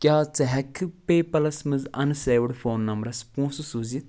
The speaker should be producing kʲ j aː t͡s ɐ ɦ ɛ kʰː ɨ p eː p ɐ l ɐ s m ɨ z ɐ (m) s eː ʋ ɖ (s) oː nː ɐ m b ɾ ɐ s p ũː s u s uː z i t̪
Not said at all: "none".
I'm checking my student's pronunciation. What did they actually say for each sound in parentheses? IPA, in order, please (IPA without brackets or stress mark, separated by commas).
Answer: n, f